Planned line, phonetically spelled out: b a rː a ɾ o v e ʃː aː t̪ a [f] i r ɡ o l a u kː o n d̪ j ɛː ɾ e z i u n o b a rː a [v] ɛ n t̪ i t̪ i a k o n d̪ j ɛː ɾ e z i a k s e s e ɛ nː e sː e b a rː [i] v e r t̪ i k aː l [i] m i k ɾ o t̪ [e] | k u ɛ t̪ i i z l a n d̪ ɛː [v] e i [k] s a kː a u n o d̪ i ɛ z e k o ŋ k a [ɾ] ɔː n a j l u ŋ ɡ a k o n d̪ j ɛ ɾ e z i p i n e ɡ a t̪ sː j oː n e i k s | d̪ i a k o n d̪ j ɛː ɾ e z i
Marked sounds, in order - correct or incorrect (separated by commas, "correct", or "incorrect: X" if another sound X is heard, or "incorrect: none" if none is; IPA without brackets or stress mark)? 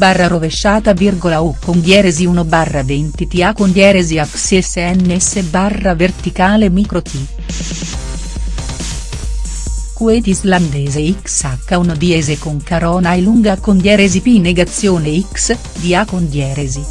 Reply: incorrect: v, correct, incorrect: a, incorrect: e, incorrect: i, incorrect: z, correct, correct